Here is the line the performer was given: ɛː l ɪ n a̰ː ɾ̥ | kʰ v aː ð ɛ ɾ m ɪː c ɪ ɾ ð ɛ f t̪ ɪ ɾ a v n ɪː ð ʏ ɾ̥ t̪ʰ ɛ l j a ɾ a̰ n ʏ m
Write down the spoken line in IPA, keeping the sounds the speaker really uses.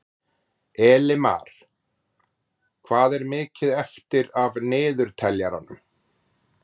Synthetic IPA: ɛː l ɪ m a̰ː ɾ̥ | kʰ v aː ð ɛ ɾ m ɪː c ɪ ð ɛ f t̪ ɪ ɾ a v n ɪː ð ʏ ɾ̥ t̪ʰ ɛ l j a ɾ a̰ n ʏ m